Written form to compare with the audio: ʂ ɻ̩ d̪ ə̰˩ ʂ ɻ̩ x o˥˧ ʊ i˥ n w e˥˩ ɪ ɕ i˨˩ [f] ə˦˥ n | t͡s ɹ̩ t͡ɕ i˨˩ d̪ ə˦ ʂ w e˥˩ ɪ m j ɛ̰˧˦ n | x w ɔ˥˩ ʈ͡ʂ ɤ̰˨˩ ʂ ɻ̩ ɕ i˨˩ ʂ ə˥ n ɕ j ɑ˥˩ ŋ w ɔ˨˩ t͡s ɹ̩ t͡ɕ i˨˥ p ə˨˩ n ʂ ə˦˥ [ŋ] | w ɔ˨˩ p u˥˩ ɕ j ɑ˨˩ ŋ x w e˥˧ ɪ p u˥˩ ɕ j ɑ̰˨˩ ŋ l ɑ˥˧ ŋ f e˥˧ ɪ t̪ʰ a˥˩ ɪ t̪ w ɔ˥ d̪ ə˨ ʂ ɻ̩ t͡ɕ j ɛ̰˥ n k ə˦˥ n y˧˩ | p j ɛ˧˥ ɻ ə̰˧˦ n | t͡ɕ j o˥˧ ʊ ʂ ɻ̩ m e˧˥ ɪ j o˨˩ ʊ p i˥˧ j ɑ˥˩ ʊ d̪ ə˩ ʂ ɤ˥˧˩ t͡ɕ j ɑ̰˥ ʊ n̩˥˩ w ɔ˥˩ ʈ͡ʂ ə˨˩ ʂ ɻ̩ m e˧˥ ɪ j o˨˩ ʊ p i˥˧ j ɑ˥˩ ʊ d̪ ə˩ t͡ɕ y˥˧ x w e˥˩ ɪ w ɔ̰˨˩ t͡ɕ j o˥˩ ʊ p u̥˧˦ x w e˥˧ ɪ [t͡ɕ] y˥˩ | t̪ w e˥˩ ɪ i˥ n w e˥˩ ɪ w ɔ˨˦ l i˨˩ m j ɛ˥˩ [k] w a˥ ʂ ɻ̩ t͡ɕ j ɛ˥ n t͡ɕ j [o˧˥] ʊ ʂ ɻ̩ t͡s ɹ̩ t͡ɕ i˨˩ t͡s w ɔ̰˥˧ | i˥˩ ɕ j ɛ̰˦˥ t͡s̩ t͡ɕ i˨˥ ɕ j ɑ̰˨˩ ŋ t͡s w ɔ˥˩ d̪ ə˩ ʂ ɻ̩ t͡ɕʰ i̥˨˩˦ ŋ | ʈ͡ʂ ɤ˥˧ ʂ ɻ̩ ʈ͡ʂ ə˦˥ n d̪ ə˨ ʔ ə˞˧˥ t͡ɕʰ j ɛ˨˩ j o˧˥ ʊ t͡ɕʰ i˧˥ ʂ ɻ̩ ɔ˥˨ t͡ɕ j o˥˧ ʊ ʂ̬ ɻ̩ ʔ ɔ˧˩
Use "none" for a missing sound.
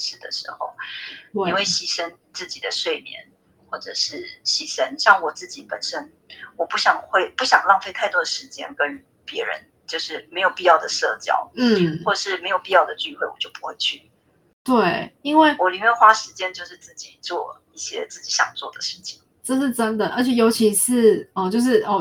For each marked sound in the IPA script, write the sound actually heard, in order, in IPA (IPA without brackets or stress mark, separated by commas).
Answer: ʂ, n, t͡ɕʰ, x, o˥˧